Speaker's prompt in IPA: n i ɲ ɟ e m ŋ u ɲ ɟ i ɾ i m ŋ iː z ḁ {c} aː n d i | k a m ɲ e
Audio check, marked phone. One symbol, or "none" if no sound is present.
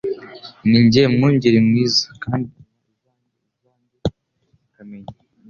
k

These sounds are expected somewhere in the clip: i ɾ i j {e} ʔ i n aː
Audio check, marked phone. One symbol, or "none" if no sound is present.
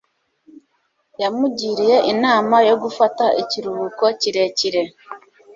e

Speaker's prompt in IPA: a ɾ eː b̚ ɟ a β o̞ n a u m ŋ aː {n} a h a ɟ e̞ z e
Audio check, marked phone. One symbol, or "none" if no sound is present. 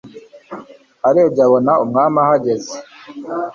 m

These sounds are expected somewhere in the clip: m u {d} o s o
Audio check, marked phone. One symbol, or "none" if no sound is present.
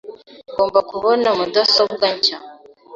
d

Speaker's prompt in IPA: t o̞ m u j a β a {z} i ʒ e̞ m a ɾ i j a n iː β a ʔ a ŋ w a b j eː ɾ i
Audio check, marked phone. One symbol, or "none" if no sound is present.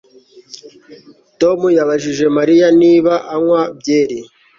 ʒ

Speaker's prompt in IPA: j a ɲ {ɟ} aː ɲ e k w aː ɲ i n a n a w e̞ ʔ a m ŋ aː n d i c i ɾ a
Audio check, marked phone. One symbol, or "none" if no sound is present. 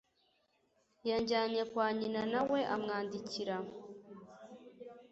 ɟ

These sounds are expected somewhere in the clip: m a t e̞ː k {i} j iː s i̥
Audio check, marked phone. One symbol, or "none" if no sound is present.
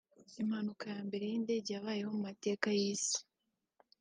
a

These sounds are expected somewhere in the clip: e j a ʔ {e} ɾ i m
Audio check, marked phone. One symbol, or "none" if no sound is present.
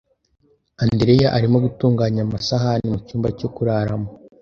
a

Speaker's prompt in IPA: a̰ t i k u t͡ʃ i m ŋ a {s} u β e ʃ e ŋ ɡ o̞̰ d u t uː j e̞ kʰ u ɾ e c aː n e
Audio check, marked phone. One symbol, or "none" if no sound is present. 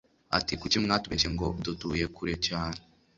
t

